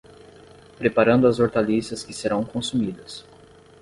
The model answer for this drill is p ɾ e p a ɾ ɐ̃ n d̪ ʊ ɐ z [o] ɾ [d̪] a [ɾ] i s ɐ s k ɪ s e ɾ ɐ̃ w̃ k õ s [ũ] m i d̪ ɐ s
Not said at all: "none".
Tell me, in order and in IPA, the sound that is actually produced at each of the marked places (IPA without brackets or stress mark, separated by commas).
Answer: o, t̪, l, u